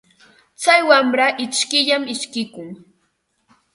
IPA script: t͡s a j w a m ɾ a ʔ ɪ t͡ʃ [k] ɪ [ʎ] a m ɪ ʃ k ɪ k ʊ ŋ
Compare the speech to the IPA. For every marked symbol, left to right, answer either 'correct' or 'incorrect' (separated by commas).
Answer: correct, correct